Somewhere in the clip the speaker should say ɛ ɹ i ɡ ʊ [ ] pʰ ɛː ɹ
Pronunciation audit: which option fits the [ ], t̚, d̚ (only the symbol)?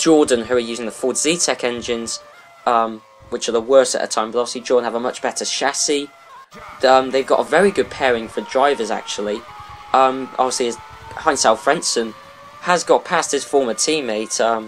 d̚